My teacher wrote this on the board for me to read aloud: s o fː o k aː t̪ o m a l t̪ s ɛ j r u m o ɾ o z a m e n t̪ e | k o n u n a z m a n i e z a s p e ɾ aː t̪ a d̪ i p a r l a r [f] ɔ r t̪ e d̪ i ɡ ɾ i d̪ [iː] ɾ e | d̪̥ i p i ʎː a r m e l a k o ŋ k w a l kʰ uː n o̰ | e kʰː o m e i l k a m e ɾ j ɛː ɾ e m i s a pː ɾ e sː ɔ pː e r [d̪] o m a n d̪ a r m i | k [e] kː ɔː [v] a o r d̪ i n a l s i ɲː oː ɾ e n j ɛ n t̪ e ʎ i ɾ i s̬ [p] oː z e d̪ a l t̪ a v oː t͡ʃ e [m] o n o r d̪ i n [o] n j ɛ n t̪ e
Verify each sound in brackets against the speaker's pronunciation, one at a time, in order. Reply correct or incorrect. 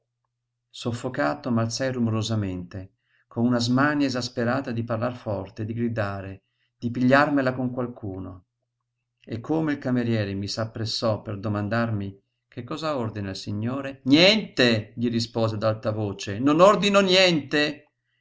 correct, incorrect: aː, correct, correct, incorrect: z, correct, incorrect: n, correct

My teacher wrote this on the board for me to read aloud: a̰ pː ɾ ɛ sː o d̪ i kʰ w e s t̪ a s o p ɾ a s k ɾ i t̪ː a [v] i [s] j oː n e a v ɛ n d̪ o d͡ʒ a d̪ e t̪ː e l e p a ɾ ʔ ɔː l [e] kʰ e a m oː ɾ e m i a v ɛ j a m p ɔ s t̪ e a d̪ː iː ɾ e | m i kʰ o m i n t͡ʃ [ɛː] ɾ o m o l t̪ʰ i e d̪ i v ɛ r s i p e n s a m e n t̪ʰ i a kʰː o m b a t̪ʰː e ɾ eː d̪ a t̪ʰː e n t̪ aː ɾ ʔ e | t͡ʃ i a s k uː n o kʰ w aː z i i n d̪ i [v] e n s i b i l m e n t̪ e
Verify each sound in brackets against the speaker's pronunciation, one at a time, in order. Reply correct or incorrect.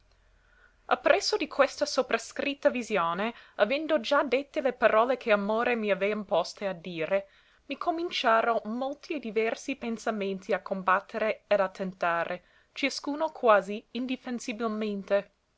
correct, incorrect: z, correct, incorrect: aː, incorrect: f

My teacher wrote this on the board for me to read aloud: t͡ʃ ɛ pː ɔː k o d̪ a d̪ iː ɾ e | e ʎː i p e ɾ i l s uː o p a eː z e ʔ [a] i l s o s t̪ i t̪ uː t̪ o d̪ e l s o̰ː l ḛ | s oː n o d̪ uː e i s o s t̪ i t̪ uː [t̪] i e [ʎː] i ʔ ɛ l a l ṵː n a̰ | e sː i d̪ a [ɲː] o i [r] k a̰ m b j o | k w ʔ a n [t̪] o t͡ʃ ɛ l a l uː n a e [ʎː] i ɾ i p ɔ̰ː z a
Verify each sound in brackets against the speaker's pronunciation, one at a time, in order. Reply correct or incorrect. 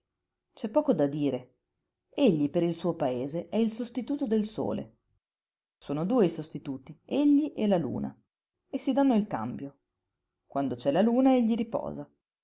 incorrect: ɛ, correct, correct, incorrect: nː, incorrect: l, incorrect: d̪, correct

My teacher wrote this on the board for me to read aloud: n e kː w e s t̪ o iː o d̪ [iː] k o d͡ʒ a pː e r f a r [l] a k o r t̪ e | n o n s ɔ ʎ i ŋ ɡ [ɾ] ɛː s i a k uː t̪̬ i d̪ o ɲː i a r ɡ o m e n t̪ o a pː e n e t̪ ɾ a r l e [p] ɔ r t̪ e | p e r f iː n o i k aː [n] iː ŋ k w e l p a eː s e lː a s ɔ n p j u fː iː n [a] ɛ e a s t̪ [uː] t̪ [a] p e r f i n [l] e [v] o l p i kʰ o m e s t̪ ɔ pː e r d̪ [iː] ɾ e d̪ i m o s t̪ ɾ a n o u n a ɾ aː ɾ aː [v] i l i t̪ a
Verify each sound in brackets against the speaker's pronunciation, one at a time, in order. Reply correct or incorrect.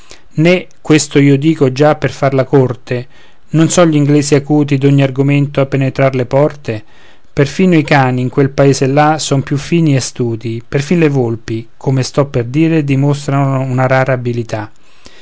correct, correct, incorrect: l, correct, correct, incorrect: i, correct, incorrect: i, correct, correct, correct, incorrect: b

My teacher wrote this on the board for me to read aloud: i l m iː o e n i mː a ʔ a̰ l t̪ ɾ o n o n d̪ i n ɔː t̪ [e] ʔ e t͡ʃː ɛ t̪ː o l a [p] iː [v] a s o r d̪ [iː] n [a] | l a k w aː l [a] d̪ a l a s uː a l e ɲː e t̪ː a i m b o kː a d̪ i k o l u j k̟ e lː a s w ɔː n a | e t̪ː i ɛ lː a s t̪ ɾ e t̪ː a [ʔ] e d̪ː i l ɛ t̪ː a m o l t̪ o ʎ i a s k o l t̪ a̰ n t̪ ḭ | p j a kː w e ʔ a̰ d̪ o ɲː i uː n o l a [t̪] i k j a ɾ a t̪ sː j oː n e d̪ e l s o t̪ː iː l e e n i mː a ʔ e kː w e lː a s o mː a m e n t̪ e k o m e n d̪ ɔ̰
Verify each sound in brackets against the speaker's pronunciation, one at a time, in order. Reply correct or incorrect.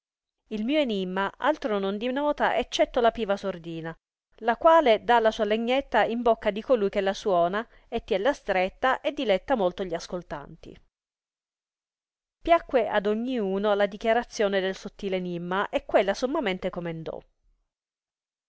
incorrect: a, correct, correct, correct, correct, incorrect: e, correct, incorrect: d̪

